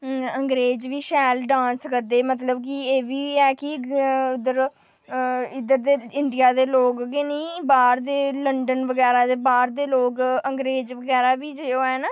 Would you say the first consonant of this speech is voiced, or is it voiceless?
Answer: voiced